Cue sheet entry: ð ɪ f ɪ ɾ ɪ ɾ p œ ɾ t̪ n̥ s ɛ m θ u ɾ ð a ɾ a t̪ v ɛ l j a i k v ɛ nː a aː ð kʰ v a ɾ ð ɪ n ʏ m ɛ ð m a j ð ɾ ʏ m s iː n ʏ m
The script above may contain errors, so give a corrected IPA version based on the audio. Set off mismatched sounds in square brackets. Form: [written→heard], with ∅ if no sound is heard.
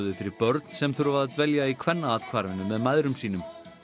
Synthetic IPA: ð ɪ f ɪ ɾ ɪ ɾ p œ ɾ t̪ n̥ s ɛ m θ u ɾ [ð→v] a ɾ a t̪ v ɛ l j a i [k→kʰ] v ɛ nː a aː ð kʰ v a ɾ [ð→v] ɪ n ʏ m ɛ ð m a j ð ɾ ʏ m s iː n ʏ m